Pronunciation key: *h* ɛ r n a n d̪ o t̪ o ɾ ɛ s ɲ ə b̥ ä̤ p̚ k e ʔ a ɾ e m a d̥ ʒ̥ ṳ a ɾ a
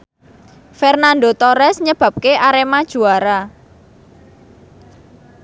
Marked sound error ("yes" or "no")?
yes